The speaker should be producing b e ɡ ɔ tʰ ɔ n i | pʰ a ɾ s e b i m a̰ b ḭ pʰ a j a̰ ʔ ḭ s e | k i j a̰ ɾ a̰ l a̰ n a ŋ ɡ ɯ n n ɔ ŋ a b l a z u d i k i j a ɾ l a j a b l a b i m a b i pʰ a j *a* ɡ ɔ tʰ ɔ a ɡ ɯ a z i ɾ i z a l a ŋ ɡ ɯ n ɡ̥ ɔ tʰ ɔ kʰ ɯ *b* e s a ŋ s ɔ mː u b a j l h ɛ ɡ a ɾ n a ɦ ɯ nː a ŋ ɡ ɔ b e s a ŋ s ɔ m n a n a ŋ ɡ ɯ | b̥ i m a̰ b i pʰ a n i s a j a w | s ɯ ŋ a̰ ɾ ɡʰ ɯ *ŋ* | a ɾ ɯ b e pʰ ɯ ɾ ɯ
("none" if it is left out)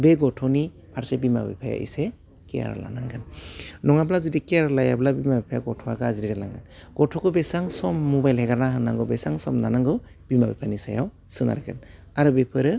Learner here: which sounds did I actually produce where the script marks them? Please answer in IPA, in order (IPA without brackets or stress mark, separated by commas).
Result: a, b, n